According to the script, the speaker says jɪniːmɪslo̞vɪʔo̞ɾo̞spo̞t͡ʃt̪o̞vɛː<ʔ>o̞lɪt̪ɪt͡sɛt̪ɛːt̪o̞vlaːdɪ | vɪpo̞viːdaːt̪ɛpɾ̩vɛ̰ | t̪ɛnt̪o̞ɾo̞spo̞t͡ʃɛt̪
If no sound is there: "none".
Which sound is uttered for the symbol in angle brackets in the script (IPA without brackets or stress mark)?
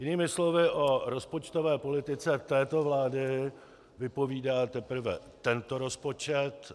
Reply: p